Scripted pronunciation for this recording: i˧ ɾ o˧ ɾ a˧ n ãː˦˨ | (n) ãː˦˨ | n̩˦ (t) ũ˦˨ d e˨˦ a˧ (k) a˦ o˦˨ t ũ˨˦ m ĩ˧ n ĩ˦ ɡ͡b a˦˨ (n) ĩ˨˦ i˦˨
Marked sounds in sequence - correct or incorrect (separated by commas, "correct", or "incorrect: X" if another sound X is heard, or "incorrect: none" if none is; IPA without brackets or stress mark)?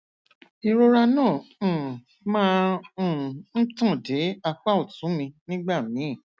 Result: incorrect: m, correct, incorrect: k͡p, incorrect: m